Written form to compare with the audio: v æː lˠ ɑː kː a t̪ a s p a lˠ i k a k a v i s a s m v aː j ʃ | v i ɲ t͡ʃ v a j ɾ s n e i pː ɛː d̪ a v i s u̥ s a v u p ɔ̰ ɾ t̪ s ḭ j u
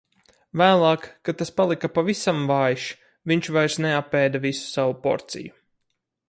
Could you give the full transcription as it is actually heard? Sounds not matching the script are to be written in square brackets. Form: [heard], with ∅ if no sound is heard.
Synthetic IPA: v æː lˠ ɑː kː a t̪ a s p a lˠ i k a [p] a v i s a [∅] m v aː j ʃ | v i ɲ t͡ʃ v a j ɾ s n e [a] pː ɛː d̪ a v i s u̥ s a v u p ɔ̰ ɾ t̪ s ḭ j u

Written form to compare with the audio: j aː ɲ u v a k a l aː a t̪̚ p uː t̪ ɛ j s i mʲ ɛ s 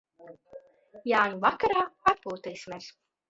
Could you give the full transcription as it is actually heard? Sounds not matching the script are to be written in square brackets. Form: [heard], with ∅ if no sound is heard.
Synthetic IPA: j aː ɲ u v a k a [ɾ] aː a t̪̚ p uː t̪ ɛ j s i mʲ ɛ s

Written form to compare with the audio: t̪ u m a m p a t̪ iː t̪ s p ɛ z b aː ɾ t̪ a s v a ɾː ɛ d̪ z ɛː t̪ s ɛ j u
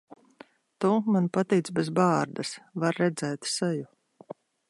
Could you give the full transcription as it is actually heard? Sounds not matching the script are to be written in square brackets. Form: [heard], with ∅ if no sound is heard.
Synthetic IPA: t̪ u m a [n] p a t̪ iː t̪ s [b] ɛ z b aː ɾ [d̪] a s v a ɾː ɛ d̪ z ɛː t̪ s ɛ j u

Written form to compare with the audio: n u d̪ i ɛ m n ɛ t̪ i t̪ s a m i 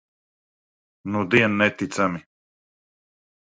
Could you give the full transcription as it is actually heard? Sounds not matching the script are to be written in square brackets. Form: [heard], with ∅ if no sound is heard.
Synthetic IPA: n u d̪ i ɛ [n] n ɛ t̪ i t̪ s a m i

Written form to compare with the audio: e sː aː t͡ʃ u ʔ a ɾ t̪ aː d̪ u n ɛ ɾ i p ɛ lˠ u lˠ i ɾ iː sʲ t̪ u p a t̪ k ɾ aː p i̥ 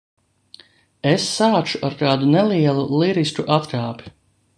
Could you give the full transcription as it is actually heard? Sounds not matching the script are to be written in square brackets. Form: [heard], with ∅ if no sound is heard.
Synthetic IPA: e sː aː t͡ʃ u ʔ a ɾ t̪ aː d̪ u n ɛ [l] i [∅] ɛ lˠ u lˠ i ɾ [i] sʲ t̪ u [ʔ] a t̪ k ɾ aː p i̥

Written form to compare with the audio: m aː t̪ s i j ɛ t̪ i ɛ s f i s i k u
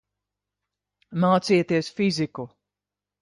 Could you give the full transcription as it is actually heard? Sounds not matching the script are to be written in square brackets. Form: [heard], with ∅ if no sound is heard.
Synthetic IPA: m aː t̪ s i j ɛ t̪ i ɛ s f i [z] i k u

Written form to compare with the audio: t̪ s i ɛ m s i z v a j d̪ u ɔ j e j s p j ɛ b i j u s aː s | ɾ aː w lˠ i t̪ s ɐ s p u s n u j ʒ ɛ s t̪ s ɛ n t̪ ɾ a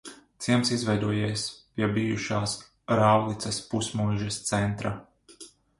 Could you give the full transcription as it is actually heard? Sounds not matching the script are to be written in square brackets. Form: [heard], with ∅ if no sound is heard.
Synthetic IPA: t̪ s i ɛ m s i z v [ɛ] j d̪ u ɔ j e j s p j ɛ b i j u [ʃ] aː s | ɾ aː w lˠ i t̪ s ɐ s p u s [m] u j ʒ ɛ s t̪ s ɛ n t̪ ɾ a

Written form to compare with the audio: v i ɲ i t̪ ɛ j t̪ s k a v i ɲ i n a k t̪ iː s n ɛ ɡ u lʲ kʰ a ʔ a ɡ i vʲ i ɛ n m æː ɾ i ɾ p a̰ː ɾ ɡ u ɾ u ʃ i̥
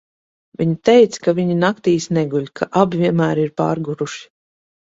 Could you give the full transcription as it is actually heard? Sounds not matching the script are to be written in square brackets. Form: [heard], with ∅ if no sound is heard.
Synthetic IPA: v i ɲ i t̪ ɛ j t̪ s k a v i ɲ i n a k t̪ iː s n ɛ ɡ u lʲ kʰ a ʔ a [b] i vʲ i ɛ n m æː ɾ i ɾ p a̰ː ɾ ɡ u ɾ u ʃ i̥

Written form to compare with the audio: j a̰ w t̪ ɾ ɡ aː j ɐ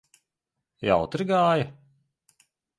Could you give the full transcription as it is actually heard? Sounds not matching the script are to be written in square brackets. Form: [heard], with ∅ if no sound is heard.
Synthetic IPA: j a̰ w t̪ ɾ ɡ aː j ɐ

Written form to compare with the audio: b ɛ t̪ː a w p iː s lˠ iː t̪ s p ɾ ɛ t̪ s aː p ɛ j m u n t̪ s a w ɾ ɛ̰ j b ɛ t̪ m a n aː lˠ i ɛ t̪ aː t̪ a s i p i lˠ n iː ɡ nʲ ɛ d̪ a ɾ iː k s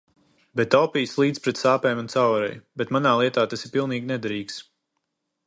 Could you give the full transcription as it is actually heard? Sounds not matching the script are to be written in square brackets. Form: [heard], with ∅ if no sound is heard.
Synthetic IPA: b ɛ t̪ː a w p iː s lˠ iː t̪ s p ɾ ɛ t̪ s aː p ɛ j m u n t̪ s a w ɾ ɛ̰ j b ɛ t̪ m a n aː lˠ i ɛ t̪ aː t̪ a s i p i lˠ n iː ɡ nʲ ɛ d̪ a ɾ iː k s

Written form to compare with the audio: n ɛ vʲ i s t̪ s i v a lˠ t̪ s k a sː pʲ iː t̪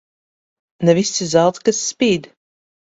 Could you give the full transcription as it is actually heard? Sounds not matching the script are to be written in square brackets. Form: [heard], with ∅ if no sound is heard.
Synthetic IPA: n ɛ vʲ i s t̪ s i [z] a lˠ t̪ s k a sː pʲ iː [d̪]

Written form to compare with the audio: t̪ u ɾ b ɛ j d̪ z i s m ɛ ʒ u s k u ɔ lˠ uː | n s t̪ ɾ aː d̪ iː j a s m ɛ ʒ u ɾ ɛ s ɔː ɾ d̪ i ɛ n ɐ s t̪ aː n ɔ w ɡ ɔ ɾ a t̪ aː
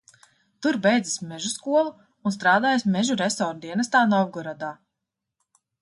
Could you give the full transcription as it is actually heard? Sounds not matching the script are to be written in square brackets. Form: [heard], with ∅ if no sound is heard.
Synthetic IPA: t̪ u ɾ b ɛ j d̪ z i s m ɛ ʒ u s k u ɔ lˠ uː | n s t̪ ɾ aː d̪ [aː] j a s m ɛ ʒ u ɾ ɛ s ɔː ɾ d̪ i ɛ n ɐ s t̪ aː n ɔ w ɡ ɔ ɾ a [d̪] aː

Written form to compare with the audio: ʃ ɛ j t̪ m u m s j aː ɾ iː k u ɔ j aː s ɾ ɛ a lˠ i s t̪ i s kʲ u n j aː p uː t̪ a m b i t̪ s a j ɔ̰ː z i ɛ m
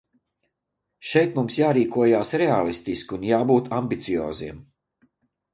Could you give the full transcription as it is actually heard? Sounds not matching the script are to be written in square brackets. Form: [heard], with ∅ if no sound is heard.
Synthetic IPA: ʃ ɛ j t̪ m u m s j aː ɾ iː k u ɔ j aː s ɾ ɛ a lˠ i s t̪ i s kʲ u n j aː [b] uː t̪ a m b i t̪ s [i] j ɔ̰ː z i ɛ m

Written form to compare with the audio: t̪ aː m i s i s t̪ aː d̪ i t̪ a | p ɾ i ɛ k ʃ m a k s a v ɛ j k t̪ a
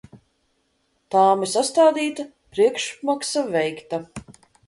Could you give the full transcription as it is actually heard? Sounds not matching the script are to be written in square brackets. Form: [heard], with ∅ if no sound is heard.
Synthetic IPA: t̪ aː m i s [a] s t̪ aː d̪ [iː] t̪ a | p ɾ i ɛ k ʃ m a k s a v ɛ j k t̪ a

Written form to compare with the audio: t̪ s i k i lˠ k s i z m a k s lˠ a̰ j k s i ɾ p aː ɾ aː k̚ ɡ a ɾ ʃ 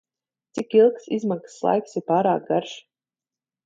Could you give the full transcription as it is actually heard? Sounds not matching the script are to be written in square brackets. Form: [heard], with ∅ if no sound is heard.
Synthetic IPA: t̪ s i k i lˠ k s i z m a k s lˠ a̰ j k s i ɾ p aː ɾ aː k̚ ɡ a ɾ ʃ

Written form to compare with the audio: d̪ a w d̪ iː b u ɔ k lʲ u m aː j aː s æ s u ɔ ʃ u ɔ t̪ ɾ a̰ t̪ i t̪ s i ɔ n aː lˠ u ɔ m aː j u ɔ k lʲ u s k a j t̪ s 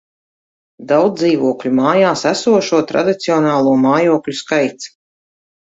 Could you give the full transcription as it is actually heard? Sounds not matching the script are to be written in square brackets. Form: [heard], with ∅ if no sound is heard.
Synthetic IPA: d̪ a w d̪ iː [v] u ɔ k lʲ u m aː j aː s æ s u ɔ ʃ u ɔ t̪ ɾ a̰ [d̪] i t̪ s i ɔ n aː lˠ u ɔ m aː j u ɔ k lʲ u s k a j t̪ s

